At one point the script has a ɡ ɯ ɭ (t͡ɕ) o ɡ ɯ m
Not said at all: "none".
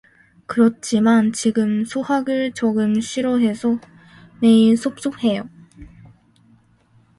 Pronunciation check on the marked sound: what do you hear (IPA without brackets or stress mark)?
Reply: t͡ɕ